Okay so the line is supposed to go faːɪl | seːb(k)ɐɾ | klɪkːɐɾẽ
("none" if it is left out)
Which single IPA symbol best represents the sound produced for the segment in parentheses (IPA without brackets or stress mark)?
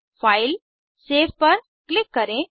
p